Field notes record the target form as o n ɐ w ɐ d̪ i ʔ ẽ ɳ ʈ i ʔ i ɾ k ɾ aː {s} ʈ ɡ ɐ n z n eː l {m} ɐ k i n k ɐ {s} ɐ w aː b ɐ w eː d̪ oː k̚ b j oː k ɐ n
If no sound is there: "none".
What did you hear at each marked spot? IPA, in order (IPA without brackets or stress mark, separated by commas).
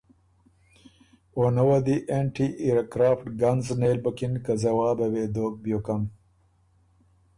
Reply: f, b, z